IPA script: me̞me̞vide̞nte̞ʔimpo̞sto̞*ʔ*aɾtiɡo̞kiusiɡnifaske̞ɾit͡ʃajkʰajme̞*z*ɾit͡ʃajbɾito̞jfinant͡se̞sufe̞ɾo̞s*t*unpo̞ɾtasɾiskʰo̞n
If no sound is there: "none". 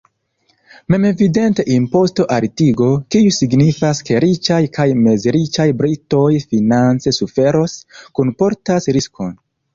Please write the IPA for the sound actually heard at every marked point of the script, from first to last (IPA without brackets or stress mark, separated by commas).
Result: ʔ, z, k